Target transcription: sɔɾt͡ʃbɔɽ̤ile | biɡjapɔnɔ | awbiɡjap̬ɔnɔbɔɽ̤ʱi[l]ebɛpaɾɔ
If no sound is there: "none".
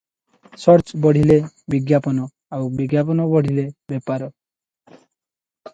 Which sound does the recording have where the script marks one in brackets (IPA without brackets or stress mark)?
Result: l